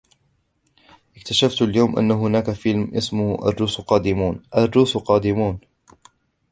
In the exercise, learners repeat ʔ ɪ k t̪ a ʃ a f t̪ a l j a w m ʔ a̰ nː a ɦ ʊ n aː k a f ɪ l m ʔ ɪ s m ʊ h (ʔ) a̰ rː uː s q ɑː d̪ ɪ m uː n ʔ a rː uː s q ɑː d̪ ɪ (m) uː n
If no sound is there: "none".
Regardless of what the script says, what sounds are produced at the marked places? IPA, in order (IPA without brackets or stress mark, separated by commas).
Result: ʔ, m